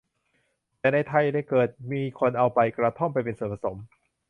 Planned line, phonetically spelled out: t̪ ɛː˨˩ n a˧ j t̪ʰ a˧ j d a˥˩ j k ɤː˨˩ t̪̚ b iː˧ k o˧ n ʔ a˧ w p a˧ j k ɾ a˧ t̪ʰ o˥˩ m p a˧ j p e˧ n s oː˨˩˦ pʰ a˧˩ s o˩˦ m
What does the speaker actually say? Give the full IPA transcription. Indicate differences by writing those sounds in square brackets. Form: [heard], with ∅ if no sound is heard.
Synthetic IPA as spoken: t̪ ɛː˨˩ n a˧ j t̪ʰ a˧ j d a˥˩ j k ɤː˨˩ t̪̚ [m] iː˧ [kʰ] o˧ n ʔ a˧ w p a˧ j k ɾ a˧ t̪ʰ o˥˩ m p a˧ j p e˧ n s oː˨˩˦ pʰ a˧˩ s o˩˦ m